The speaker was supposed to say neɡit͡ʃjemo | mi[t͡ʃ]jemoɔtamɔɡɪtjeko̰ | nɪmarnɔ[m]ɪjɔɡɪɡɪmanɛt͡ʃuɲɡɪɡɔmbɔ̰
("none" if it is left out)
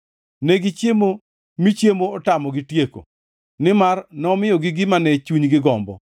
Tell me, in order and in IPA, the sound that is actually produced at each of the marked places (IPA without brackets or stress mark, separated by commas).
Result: t͡ʃ, m